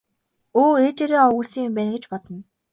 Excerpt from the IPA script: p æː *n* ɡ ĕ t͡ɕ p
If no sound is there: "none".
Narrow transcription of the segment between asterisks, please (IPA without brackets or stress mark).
n